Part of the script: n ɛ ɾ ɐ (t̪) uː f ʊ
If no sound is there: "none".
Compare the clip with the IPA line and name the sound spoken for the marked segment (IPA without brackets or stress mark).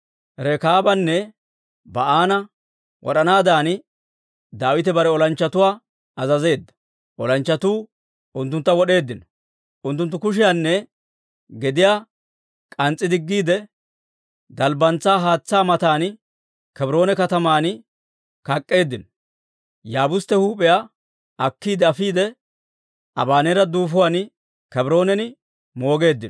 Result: d̪